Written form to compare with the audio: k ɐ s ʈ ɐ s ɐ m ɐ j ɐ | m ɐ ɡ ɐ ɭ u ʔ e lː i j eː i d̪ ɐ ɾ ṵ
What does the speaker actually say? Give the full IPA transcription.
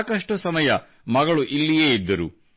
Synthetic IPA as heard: k ɐ ʂ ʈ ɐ s ɐ m ɐ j ɐ | m ɐ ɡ ɐ ɭ u ʔ i lː i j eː i d̪ː ɐ ɾ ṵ